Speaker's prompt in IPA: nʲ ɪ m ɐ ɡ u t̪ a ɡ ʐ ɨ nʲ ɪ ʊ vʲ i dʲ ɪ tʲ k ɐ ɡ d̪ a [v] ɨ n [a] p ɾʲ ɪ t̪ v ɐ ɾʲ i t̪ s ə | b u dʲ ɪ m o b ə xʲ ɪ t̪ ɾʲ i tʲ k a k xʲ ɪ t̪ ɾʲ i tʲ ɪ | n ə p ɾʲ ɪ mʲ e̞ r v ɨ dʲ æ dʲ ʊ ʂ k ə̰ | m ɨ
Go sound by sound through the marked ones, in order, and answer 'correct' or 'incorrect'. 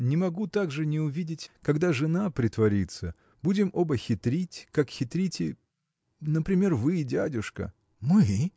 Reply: incorrect: ʐ, correct

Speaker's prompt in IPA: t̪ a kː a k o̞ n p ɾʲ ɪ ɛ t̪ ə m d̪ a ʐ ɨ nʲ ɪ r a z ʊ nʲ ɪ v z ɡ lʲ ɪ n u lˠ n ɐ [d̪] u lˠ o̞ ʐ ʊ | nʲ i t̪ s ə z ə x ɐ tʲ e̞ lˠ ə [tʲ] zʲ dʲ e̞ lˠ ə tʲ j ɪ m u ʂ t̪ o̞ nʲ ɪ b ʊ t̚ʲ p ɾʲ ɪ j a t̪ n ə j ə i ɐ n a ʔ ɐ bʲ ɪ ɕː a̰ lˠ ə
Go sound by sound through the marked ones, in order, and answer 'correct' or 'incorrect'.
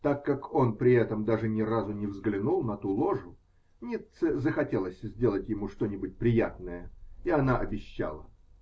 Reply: incorrect: t̪, incorrect: sʲ

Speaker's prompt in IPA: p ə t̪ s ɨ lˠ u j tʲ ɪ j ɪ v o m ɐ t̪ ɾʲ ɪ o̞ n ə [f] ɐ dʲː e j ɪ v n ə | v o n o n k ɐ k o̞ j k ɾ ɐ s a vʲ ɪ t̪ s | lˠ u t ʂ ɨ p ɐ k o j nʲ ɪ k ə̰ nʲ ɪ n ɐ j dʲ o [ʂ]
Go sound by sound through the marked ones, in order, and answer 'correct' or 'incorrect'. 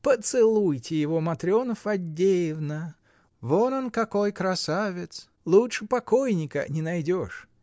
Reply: correct, correct

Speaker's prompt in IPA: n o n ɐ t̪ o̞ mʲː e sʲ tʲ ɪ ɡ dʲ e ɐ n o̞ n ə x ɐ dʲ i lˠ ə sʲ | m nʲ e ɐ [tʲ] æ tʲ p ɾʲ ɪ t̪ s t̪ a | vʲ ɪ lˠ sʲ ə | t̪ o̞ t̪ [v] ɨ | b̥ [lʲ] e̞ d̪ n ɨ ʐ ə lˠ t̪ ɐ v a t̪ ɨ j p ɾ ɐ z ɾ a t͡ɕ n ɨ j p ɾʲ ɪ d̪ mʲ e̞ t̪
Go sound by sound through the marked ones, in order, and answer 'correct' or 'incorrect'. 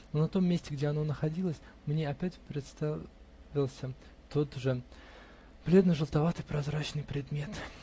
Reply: incorrect: pʲ, incorrect: ʐ, correct

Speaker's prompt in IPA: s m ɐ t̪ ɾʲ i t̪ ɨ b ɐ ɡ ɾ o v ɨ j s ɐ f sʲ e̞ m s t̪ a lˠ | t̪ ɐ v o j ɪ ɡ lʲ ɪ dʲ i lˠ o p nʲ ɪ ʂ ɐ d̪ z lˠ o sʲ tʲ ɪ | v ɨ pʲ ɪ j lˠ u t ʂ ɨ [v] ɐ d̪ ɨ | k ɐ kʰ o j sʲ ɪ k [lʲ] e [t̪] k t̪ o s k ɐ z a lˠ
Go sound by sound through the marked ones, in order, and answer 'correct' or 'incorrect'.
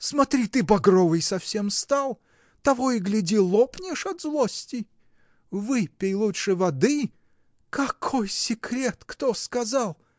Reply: correct, incorrect: ɾʲ, correct

